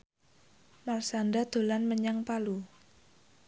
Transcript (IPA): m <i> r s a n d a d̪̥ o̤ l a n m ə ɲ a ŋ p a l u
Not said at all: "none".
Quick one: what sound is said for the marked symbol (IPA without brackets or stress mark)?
a